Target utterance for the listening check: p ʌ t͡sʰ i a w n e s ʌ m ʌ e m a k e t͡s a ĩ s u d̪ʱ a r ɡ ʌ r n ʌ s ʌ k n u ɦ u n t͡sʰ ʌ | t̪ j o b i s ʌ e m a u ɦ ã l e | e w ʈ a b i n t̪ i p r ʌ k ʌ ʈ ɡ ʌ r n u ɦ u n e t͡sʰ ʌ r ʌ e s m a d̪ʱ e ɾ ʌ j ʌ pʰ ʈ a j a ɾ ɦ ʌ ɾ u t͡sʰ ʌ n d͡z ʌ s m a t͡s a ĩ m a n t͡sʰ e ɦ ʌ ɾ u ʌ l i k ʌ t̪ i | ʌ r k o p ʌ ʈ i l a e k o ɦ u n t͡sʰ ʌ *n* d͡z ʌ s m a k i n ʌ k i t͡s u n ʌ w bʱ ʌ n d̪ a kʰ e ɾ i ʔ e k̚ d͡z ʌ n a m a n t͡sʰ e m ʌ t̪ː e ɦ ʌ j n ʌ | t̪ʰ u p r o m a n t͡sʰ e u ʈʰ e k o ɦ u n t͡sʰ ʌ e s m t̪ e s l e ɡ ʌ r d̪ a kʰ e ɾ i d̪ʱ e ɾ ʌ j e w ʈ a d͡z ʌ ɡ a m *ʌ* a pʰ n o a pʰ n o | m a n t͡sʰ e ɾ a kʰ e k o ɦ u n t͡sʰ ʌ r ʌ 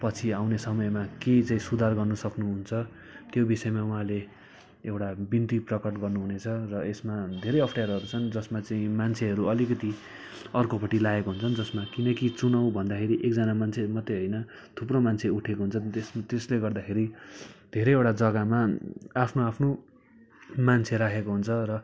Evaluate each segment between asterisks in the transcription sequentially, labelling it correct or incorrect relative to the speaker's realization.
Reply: correct, incorrect: a

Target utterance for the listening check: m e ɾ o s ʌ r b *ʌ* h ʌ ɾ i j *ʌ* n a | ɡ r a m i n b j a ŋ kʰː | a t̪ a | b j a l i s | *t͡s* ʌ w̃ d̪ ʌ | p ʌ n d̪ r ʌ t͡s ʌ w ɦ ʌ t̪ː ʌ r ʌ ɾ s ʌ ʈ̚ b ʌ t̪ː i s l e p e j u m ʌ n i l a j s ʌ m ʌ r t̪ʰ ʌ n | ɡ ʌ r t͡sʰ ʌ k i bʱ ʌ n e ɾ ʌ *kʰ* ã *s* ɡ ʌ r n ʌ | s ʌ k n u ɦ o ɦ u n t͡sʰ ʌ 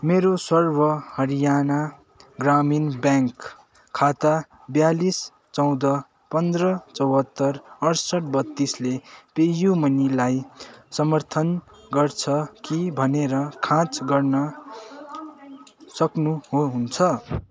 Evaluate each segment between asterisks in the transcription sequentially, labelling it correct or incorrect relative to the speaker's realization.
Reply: correct, incorrect: a, correct, correct, incorrect: t͡s

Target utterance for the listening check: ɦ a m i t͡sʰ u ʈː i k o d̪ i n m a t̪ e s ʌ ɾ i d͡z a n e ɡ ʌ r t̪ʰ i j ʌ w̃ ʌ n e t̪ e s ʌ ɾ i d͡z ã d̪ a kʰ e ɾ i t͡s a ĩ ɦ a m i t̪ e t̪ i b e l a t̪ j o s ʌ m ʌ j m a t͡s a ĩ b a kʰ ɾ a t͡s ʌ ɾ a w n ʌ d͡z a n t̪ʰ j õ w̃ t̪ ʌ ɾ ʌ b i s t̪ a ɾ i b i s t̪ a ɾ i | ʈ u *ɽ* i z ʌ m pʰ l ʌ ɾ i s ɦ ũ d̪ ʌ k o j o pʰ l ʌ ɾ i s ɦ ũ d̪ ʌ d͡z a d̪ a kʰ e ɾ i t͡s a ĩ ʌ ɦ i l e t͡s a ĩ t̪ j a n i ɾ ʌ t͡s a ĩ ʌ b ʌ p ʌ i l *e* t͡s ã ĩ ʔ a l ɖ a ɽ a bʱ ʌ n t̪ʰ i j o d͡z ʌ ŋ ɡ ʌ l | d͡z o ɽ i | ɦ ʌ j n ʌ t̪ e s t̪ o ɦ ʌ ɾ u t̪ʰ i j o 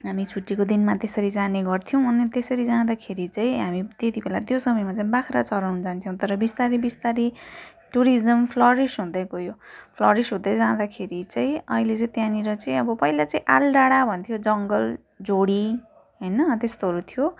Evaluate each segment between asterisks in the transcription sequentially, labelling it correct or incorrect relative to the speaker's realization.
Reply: incorrect: ɾ, incorrect: a

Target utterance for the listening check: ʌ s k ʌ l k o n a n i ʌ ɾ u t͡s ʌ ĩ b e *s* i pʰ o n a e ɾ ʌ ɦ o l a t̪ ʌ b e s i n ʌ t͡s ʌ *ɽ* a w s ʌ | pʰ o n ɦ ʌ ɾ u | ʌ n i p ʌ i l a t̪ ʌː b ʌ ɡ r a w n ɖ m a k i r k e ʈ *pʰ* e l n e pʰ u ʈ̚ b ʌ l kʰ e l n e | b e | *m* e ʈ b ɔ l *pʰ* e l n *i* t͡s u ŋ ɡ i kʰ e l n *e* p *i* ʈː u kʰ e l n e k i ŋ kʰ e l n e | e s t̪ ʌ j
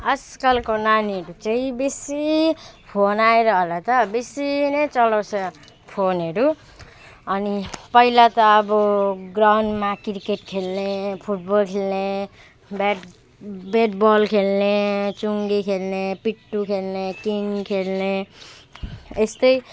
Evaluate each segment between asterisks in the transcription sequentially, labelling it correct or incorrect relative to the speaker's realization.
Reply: correct, incorrect: l, incorrect: kʰ, incorrect: b, incorrect: kʰ, incorrect: e, correct, correct

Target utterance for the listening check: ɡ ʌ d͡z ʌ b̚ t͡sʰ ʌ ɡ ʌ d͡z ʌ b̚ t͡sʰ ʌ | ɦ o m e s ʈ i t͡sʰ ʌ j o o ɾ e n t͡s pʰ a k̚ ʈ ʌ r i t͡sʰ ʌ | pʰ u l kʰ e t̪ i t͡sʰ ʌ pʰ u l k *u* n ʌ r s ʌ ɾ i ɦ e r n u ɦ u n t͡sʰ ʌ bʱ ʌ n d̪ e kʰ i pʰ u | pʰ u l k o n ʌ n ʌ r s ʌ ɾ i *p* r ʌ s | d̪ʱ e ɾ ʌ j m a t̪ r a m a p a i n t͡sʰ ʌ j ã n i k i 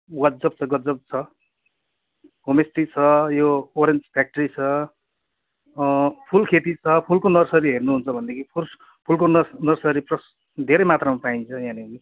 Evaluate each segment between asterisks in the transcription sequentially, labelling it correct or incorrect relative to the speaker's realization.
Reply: incorrect: o, correct

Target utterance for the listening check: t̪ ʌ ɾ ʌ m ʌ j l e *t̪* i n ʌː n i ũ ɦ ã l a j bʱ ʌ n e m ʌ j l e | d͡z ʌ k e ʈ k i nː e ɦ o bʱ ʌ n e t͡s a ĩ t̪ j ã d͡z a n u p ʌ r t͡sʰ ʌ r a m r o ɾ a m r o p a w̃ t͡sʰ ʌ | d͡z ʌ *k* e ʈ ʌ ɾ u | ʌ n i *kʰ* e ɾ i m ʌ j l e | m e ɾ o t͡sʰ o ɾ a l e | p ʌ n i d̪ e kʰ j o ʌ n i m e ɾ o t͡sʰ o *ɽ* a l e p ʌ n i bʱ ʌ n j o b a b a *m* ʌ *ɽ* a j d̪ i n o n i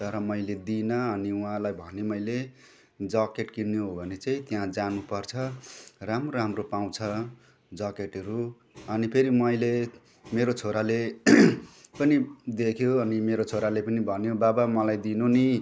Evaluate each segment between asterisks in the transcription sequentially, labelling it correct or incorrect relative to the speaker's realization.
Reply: incorrect: d̪, correct, incorrect: pʰ, incorrect: ɾ, correct, incorrect: l

